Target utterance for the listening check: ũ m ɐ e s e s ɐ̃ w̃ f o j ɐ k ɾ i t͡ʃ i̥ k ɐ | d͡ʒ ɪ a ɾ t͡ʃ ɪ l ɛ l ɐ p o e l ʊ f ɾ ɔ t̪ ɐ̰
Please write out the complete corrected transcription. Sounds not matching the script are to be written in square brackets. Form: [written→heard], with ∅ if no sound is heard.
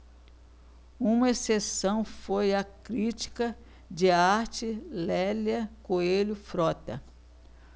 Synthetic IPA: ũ m ɐ e s e s ɐ̃ w̃ f o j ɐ k ɾ i t͡ʃ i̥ k ɐ | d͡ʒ ɪ a ɾ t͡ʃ ɪ l ɛ l ɐ [p→k] o e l ʊ f ɾ ɔ t̪ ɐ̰